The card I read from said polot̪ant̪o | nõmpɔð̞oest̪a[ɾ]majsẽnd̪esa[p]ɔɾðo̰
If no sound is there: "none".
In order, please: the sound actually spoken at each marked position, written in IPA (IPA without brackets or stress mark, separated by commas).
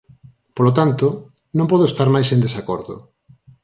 ɾ, k